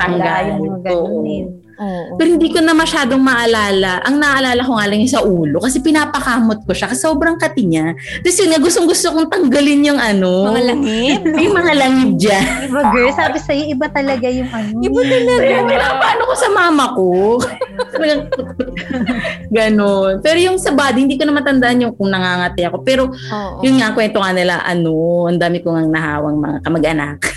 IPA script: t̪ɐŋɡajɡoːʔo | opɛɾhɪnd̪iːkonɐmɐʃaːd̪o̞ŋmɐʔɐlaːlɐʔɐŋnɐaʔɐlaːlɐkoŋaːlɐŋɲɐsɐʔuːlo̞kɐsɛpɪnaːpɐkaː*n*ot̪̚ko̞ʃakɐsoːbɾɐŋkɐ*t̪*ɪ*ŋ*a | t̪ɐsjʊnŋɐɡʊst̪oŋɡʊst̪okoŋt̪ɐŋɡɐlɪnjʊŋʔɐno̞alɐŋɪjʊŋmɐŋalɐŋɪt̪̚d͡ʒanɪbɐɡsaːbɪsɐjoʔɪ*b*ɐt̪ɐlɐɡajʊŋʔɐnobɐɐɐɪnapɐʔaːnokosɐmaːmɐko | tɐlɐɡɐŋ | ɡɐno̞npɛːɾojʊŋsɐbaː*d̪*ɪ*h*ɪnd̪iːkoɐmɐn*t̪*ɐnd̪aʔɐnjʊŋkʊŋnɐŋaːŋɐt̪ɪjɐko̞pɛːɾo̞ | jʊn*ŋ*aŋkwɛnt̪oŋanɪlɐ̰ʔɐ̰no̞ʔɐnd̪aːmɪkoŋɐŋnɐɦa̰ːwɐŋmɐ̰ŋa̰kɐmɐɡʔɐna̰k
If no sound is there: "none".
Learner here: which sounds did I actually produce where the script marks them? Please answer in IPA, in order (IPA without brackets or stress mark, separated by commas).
m, t̪, ɲ, b, d̪, h, t̪, ŋ